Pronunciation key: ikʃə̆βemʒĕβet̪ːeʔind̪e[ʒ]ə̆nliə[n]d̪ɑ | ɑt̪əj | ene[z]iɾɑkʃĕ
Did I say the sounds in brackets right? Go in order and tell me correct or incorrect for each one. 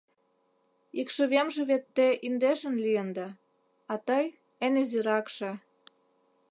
incorrect: ʃ, correct, correct

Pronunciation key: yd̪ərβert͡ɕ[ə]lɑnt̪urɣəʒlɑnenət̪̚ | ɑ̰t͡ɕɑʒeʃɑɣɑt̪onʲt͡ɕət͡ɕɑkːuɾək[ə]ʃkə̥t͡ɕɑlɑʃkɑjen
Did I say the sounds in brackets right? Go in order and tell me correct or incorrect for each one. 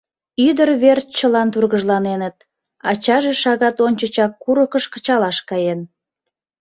correct, correct

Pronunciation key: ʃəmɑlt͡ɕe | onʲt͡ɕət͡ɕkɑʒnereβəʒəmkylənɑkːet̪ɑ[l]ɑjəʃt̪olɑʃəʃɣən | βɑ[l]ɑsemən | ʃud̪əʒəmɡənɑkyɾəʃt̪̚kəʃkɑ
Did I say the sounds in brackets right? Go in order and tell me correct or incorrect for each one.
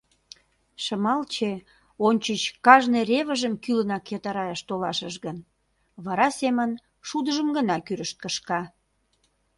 incorrect: ɾ, incorrect: ɾ

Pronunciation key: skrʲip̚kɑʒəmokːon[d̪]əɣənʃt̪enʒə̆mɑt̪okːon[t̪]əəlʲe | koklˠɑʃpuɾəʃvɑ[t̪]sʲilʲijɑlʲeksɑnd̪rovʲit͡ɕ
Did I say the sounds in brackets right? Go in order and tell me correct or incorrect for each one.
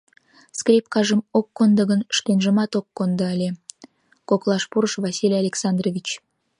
correct, incorrect: d̪, incorrect: none

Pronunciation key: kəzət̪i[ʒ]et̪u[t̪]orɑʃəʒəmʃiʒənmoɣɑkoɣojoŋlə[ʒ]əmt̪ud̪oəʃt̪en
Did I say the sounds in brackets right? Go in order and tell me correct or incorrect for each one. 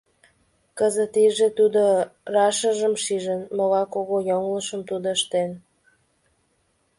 correct, incorrect: d̪, incorrect: ʃ

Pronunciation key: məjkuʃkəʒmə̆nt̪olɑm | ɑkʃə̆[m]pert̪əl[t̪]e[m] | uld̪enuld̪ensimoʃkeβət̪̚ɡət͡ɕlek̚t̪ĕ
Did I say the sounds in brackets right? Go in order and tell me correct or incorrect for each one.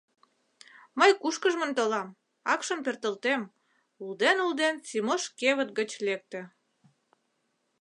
correct, correct, correct

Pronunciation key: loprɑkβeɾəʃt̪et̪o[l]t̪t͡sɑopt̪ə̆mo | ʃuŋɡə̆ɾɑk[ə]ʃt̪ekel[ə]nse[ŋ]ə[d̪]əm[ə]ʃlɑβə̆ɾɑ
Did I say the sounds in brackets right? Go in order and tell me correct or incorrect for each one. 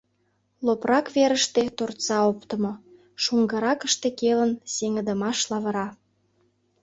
incorrect: r, correct, correct, correct, correct, incorrect: ɑ

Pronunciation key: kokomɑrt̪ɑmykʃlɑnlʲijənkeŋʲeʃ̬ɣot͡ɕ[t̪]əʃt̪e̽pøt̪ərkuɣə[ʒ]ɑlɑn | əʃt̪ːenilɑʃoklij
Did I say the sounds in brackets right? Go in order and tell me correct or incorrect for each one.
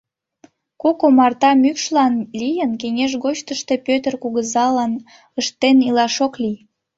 correct, incorrect: z

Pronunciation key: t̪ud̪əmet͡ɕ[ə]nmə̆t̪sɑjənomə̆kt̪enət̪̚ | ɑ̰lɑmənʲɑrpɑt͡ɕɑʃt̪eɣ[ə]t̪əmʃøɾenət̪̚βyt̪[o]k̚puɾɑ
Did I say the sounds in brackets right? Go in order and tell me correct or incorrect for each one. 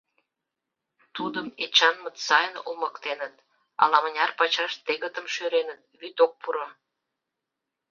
incorrect: ɑ, correct, correct

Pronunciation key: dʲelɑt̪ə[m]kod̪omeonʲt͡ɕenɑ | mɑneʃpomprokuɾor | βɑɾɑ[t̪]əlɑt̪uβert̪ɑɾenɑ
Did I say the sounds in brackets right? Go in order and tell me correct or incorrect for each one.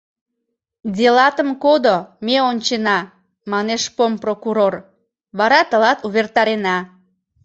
correct, correct

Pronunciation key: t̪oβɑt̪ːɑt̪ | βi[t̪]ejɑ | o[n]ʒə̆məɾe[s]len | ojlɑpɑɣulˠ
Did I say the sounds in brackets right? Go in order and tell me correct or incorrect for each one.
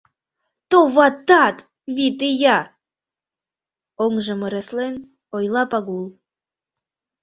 correct, incorrect: ŋ, correct

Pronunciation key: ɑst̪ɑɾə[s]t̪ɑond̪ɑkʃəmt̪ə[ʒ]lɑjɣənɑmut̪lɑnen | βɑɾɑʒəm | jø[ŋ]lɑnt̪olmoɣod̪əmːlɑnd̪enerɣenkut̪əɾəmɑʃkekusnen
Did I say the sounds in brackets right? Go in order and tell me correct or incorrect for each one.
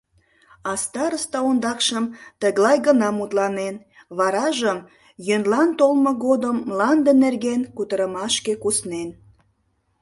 correct, incorrect: ɣ, incorrect: n

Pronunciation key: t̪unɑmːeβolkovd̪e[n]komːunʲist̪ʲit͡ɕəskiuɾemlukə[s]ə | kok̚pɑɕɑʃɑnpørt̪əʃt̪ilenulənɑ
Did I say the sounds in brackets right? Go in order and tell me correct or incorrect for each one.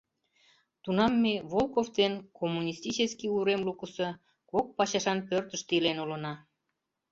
correct, correct

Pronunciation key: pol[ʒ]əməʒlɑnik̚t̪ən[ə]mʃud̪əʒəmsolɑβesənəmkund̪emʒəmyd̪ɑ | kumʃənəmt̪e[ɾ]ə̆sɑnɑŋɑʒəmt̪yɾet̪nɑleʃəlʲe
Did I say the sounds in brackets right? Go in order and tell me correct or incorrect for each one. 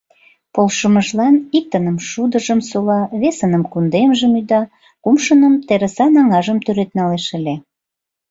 incorrect: ʃ, correct, correct

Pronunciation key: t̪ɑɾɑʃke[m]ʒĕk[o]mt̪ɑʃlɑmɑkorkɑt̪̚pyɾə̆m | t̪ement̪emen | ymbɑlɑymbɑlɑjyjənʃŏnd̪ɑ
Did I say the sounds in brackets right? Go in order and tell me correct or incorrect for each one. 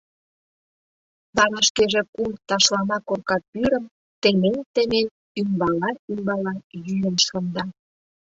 incorrect: none, incorrect: u

